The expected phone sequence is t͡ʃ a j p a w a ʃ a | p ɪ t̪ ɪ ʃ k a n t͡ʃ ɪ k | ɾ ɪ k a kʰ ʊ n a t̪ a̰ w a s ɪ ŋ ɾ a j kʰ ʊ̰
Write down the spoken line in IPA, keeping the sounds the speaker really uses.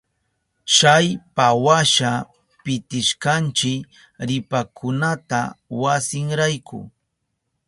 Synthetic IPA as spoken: t͡ʃ a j p a w a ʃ a | p ɪ t̪ ɪ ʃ k a n t͡ʃ ɪ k | ɾ ɪ p a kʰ ʊ n a t̪ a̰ w a s ɪ ŋ ɾ a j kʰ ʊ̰